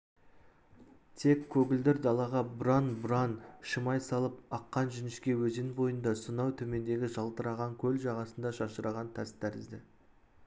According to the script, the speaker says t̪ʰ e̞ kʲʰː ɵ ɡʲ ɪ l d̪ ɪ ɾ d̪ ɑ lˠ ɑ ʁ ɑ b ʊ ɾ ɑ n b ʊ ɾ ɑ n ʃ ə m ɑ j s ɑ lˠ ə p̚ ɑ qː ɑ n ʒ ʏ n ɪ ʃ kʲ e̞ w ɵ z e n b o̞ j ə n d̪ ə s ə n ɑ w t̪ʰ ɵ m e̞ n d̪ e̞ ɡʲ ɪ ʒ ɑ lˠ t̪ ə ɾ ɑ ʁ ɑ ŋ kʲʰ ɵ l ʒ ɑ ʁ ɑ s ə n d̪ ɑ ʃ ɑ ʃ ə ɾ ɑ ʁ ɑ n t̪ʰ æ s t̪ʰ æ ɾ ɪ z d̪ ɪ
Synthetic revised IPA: t̪ʰ e̞ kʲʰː ɵ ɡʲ ɪ l d̪ ɪ ɾ d̪ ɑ lˠ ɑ ʁ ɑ b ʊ ɾ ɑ n b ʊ ɾ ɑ n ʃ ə m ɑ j s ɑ lˠ ə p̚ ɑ qː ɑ n ʒ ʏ n ɪ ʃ kʲ e̞ w ɵ z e n b o̞ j ə n d̪ ɑ s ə n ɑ w t̪ʰ ɵ m e̞ n d̪ e̞ ɡʲ ɪ ʒ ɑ lˠ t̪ ə ɾ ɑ ʁ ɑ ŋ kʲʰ ɵ l ʒ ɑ ʁ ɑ s ə n d̪ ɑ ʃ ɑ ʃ ə ɾ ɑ ʁ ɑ n t̪ʰ æ s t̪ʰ æ ɾ ɪ z d̪ ɪ